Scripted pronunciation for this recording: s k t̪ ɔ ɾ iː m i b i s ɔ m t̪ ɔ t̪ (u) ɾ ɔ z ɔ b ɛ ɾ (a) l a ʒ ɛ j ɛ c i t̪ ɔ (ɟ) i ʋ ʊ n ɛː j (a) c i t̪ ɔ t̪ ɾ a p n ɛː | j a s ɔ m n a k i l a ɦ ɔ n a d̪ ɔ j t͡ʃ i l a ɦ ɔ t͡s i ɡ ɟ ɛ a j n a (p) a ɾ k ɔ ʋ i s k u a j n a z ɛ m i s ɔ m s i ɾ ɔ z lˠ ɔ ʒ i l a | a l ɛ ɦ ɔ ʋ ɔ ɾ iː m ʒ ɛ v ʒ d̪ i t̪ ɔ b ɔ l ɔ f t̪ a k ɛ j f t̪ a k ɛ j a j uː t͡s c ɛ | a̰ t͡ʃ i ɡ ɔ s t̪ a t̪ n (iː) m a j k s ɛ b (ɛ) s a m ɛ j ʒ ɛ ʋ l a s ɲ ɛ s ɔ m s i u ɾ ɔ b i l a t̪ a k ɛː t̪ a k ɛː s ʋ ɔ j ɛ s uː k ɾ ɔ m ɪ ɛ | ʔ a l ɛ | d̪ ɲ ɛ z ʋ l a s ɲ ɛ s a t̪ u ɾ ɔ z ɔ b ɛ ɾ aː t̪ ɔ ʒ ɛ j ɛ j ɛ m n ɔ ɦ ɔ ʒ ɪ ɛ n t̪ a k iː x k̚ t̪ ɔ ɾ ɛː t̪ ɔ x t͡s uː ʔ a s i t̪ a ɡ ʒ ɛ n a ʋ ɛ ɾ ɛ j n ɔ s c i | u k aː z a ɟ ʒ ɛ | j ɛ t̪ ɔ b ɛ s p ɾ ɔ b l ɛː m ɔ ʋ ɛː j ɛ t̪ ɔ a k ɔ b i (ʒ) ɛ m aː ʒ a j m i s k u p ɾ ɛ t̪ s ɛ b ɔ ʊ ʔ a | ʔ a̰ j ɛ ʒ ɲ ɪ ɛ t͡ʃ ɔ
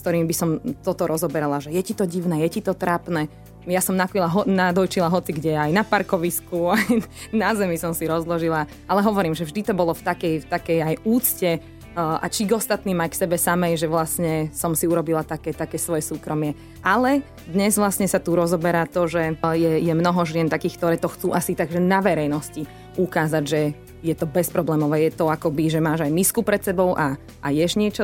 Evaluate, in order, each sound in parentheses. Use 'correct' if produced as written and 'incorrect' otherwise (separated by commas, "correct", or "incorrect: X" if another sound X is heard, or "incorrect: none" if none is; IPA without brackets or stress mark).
incorrect: ɔ, correct, correct, incorrect: ɛ, correct, correct, correct, correct